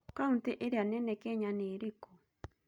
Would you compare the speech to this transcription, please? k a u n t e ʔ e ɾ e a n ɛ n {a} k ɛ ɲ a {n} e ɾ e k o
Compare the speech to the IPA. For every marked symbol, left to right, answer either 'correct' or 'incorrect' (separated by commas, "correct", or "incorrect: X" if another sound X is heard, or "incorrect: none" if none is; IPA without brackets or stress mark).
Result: incorrect: ɛ, correct